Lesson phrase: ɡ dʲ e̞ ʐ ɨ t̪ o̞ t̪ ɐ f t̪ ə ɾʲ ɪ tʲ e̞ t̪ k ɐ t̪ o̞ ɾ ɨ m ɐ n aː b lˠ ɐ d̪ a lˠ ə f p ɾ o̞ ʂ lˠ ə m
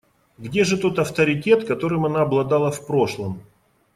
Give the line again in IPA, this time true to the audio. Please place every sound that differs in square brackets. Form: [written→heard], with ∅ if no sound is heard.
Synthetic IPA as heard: ɡ dʲ e̞ ʐ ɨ t̪ o̞ t̪ ɐ f t̪ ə ɾʲ ɪ tʲ e̞ t̪ k ɐ t̪ o̞ ɾ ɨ m ɐ n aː b lˠ ɐ d̪ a lˠ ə f p ɾ o̞ ʂ lˠ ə m